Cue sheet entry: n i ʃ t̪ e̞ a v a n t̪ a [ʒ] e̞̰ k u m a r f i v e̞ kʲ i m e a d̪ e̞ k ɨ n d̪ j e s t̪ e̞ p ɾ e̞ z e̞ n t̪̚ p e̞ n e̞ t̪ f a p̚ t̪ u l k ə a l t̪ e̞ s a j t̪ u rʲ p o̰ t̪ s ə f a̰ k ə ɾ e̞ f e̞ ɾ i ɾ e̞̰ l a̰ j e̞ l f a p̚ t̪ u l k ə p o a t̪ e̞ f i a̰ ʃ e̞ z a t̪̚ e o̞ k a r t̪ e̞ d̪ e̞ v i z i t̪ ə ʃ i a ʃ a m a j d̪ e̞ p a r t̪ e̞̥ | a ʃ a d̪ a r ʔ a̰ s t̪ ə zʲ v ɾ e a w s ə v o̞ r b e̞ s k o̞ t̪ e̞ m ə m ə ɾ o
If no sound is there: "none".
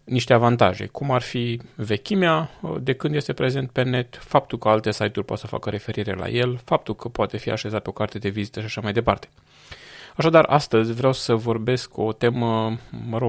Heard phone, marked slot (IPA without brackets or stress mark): ʒ